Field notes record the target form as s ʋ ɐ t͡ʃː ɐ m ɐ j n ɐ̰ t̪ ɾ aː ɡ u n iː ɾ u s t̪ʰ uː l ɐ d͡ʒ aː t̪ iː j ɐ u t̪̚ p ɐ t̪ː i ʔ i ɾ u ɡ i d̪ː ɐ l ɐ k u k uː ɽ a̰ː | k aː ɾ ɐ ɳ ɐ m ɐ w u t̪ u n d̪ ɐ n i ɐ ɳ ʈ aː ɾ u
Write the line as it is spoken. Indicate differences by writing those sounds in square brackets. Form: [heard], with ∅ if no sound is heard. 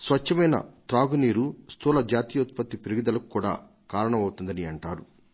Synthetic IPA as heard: s ʋ ɐ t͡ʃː ɐ m ɐ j n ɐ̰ t̪ ɾ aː ɡ u n iː ɾ u s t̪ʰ uː l ɐ d͡ʒ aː t̪ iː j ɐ u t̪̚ p ɐ t̪ː i [p] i ɾ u ɡ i [d̪] ɐ l ɐ k u k uː ɽ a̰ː | k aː ɾ ɐ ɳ ɐ m ɐ w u t̪ u n d̪ ɐ n i ɐ ɳ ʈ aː ɾ u